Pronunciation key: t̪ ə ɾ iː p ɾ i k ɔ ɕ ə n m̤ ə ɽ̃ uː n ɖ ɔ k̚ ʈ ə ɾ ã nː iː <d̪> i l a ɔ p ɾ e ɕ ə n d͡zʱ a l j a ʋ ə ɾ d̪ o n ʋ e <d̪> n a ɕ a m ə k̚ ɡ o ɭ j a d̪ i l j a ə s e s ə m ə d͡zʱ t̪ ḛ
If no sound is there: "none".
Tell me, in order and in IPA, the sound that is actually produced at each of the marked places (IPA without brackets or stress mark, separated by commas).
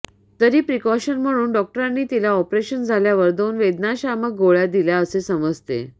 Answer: t̪, d̪